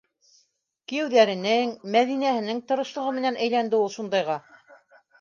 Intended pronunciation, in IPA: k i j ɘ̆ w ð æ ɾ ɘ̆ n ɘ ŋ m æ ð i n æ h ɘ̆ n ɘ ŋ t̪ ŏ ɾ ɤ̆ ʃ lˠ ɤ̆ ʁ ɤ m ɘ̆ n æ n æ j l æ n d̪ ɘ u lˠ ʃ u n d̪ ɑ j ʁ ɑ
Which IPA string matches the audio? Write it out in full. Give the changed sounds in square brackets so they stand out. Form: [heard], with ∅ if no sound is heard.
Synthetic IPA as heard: k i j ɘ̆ w ð æ ɾ ɘ̆ n ɘ ŋ m æ ð i n æ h ɘ̆ n ɘ ŋ t̪ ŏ ɾ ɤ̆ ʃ lˠ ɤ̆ ʁ ɤ m ɘ̆ n æ n æ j l æ n d̪ ɘ u lˠ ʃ u n d̪ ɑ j ʁ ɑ